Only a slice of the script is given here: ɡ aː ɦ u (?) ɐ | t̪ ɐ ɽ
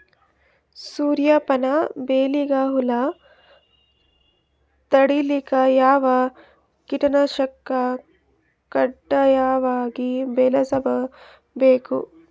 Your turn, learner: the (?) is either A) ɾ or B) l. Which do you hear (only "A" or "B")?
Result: B